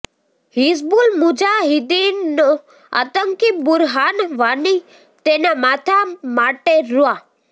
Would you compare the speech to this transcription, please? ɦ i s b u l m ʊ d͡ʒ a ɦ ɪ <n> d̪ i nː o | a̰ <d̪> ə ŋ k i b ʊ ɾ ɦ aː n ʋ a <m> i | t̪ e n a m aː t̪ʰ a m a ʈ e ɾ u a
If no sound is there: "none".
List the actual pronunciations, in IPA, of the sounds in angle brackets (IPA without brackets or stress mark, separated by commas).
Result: none, t̪, n